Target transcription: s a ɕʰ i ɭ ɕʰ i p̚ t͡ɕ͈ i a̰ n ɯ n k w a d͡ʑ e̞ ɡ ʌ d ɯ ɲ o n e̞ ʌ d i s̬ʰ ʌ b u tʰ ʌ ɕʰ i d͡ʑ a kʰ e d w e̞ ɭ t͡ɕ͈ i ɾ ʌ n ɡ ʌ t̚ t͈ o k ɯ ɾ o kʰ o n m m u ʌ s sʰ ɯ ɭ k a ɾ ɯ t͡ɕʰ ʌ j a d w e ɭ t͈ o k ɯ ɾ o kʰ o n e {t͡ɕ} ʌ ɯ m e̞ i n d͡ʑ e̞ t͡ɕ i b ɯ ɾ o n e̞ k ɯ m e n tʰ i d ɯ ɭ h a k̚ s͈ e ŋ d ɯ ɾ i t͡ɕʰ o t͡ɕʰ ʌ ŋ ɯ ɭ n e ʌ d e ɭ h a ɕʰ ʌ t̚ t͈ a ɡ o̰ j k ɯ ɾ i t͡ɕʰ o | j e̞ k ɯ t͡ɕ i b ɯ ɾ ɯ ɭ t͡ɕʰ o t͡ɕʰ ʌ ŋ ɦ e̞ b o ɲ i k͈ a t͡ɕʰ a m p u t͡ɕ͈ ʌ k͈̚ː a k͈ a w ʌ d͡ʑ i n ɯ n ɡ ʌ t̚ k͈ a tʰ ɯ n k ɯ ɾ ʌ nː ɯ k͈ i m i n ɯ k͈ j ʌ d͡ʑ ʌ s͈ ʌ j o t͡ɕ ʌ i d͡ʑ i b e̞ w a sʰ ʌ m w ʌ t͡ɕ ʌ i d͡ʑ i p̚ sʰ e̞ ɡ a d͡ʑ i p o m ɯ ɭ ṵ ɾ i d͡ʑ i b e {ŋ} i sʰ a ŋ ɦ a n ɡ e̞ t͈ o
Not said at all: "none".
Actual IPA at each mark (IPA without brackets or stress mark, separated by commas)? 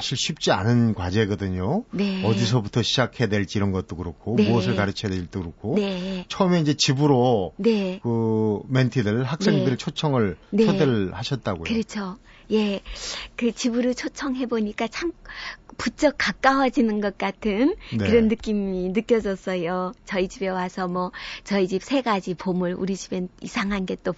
t͡ɕʰ, n